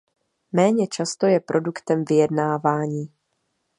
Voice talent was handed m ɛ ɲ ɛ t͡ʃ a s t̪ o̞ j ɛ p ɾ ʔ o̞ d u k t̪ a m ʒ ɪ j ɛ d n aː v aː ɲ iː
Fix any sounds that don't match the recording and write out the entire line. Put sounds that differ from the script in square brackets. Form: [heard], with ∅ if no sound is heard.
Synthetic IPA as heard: m [ɛː] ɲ ɛ t͡ʃ a s t̪ o̞ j ɛ p ɾ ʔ o̞ d u k t̪ [ɛ] m [v] ɪ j ɛ d n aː v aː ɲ iː